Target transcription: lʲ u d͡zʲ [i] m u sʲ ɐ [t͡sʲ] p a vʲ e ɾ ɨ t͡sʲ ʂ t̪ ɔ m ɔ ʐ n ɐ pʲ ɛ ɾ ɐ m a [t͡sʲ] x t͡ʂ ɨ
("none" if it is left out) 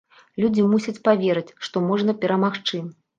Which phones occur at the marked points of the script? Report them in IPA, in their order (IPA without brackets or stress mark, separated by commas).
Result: i, t͡sʲ, none